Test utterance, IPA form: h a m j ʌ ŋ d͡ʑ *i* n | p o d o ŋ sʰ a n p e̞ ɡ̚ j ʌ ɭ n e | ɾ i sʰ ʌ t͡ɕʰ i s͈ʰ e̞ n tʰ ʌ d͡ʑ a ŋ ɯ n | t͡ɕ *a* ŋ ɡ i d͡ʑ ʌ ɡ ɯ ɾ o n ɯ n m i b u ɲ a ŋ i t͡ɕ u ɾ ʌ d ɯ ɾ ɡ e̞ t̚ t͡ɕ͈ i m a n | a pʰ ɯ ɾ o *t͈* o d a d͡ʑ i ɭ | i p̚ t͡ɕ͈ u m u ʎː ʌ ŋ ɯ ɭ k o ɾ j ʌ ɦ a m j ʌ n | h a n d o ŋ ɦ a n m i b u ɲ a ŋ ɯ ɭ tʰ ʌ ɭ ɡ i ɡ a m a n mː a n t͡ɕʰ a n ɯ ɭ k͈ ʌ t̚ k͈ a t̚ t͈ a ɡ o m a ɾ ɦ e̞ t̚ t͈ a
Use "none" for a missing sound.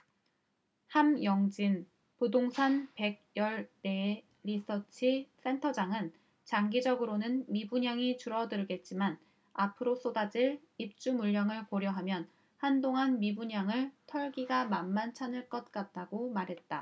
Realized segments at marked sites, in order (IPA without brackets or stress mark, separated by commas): i, a, s͈